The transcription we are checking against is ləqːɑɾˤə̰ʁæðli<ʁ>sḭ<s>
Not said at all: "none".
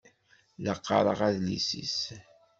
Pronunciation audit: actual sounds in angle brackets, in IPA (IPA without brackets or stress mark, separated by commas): none, s